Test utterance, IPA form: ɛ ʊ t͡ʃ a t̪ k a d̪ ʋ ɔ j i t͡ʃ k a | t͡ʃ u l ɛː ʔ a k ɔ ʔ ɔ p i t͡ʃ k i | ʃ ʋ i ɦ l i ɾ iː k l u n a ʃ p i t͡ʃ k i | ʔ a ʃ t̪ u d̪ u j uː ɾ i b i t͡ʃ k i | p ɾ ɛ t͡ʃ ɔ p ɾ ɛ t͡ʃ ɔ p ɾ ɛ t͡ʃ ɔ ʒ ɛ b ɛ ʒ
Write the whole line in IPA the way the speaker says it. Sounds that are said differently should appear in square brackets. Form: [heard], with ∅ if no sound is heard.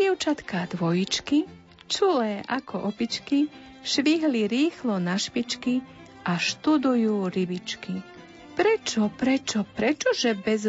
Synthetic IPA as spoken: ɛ ʊ t͡ʃ a t̪ k a d̪ ʋ ɔ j i t͡ʃ k [i] | t͡ʃ u l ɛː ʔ a k ɔ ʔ ɔ p i t͡ʃ k i | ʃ ʋ i ɦ l i ɾ iː [x] l [ɔ] n a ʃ p i t͡ʃ k i | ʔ a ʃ t̪ u d̪ u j uː ɾ i b i t͡ʃ k i | p ɾ ɛ t͡ʃ ɔ p ɾ ɛ t͡ʃ ɔ p ɾ ɛ t͡ʃ ɔ ʒ ɛ b ɛ [z]